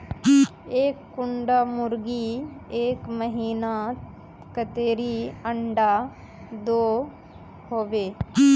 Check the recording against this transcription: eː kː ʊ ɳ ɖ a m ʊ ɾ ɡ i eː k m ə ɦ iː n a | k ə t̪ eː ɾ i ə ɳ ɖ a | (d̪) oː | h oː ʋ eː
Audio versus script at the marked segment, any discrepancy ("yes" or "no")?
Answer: no